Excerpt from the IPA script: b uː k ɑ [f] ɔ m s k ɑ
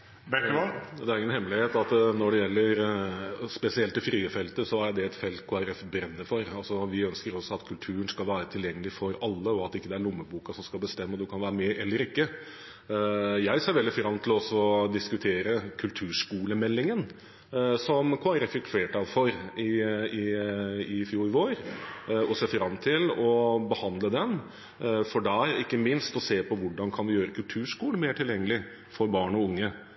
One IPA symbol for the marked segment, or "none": s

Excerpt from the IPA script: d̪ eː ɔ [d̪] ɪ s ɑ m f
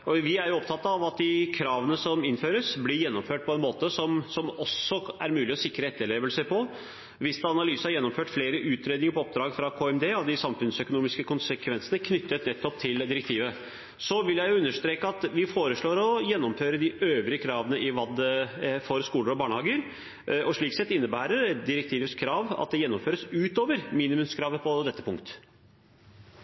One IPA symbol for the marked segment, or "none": d̪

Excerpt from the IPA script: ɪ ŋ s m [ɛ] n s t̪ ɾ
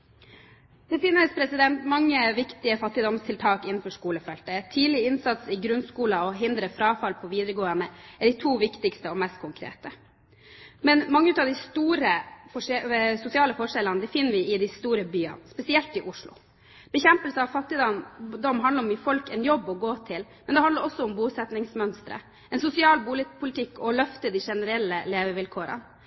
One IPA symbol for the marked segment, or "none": œ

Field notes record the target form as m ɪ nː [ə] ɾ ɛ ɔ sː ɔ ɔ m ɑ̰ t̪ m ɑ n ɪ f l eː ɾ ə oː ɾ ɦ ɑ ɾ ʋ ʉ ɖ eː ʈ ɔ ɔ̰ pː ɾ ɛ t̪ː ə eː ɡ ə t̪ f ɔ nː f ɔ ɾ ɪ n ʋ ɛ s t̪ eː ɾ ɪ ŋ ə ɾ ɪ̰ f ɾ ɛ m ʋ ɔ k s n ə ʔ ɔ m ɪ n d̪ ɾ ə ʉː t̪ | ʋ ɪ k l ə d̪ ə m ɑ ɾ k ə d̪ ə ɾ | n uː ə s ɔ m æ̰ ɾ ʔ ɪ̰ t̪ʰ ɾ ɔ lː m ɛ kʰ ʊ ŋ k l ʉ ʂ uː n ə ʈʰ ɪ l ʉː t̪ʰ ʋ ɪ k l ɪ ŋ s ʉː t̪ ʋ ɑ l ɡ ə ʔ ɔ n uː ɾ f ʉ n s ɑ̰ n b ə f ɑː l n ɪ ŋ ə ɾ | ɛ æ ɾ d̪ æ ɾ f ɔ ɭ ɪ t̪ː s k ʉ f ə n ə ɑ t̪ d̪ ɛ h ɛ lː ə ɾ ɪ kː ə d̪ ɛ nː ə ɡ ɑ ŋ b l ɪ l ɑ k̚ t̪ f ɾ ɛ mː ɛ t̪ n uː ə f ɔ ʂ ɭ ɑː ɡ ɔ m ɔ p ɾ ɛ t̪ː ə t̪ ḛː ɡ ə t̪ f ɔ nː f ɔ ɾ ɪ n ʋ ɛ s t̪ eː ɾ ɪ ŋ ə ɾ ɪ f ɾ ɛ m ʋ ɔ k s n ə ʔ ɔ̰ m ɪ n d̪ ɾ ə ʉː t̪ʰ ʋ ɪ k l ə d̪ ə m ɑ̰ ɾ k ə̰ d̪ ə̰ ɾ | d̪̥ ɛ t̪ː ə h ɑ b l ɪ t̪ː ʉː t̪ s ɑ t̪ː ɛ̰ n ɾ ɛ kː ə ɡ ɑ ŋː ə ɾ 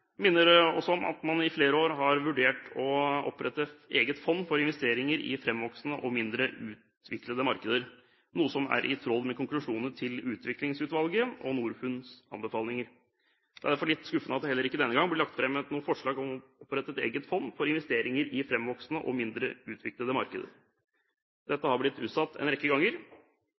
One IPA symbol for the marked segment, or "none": ə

